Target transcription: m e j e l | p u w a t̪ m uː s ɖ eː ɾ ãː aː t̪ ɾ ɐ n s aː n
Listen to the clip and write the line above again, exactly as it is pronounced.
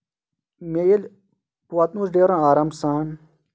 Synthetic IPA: m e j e l | p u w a t̪ n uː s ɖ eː ɾ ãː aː ɾ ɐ m s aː n